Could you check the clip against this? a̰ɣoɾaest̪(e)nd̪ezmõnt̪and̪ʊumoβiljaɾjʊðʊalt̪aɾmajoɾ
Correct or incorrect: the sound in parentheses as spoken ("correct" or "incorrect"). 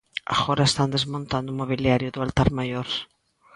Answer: incorrect